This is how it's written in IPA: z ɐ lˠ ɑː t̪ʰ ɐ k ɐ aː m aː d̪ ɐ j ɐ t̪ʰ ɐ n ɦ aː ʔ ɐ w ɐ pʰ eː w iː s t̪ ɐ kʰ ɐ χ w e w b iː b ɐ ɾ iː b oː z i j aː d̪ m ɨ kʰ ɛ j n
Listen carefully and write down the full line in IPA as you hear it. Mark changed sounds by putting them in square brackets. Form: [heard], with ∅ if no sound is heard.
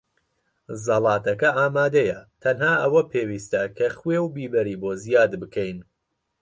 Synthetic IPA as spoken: z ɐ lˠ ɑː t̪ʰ ɐ k ɐ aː m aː d̪ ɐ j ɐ t̪ʰ ɐ n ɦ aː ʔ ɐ w ɐ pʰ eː w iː s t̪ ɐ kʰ ɐ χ w e w b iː b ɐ ɾ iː b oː z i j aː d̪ [b] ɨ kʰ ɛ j n